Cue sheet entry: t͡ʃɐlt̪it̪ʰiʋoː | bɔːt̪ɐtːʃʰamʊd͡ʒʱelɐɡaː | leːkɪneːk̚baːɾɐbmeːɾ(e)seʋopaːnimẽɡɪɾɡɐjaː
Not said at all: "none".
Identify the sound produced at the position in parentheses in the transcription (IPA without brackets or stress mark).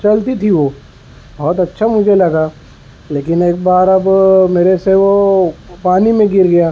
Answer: e